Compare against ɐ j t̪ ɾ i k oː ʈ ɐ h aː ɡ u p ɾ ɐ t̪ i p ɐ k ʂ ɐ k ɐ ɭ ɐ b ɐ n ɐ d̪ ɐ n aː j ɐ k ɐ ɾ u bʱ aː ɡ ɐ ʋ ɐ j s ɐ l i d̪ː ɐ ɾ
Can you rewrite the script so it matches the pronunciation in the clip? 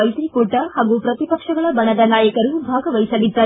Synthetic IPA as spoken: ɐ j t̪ ɾ i k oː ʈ ɐ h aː ɡ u p ɾ ɐ t̪ i p ɐ k ʂ ɐ ɡ ɐ ɭ ɐ b ɐ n ɐ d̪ ɐ n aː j ɐ k ɐ ɾ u bʱ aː ɡ ɐ ʋ ɐ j s ɐ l i d̪ː ɐ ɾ

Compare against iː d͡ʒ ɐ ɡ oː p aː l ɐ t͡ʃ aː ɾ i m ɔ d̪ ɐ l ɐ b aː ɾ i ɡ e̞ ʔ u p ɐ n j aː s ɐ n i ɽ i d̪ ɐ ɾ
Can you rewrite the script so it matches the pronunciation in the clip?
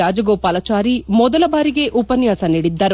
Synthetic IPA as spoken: aː d͡ʒ ɐ ɡ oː p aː l ɐ t͡ʃ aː ɾ i m ɔ d̪ ɐ l ɐ b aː ɾ i ɡ e̞ ʔ u p ɐ n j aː s ɐ n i ɽ i d̪ː ɐ ɾ

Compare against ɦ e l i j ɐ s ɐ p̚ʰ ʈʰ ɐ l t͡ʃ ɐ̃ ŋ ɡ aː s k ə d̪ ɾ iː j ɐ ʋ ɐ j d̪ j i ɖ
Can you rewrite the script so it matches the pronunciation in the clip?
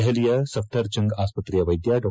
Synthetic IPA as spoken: ɦ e l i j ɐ s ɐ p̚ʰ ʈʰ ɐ ɾ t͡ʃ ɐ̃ ŋ ɡ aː s p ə t̪ ɾ i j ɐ ʋ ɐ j d̪ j a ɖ

